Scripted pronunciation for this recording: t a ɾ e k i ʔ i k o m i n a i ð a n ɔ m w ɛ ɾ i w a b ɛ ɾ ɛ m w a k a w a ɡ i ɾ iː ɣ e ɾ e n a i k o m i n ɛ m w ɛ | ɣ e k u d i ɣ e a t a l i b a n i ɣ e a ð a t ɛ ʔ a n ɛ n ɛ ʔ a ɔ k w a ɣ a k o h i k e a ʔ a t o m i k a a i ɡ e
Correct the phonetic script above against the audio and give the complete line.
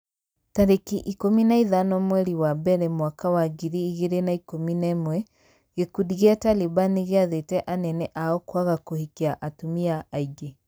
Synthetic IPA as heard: t a ɾ e k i ʔ i k o m i n a i ð a n ɔ m w ɛ ɾ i w a b ɛ ɾ ɛ m w a k a w a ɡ i ɾ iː ɣ e ɾ e n a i k o m i n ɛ m w ɛ | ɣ e k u d i ɣ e a t a l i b a n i ɣ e a ð e t ɛ ʔ a n ɛ n ɛ ʔ a ɔ k w a ɣ a k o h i k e a ʔ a t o m i a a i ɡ e

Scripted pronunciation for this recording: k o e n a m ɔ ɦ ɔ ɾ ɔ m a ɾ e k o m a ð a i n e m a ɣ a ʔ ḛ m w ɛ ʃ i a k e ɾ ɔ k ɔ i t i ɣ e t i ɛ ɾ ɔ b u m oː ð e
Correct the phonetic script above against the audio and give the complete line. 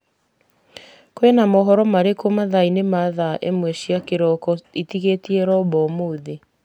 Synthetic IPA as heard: k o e n a m ɔ ɦ ɔ ɾ ɔ m a ɾ e k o m a ð a i n e m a ð a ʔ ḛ m w ɛ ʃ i a k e ɾ ɔ k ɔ i t i ɣ e t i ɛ ɾ ɔ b ɔ m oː ð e

